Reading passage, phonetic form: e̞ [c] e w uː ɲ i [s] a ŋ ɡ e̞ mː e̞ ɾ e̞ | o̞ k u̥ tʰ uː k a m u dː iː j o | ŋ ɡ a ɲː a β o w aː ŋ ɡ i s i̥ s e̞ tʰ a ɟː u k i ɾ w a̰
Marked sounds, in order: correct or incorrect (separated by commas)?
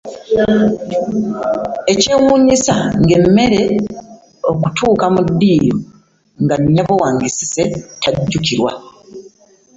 correct, correct